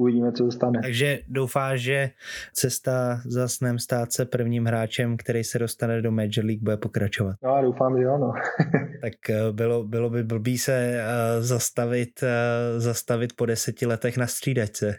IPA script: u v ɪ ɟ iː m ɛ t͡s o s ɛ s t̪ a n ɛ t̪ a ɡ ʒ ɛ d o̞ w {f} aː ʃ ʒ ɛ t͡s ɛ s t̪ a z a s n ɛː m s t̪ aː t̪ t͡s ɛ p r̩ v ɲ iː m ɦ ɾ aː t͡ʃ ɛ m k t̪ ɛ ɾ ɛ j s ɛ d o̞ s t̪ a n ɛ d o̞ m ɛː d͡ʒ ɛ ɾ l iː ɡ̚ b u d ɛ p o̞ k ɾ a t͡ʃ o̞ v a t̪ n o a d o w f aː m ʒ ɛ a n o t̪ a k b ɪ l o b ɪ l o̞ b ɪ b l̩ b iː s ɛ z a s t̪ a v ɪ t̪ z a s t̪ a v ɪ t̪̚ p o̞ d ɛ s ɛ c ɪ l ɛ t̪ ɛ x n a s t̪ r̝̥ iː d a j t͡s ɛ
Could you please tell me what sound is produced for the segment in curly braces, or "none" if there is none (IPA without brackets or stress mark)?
f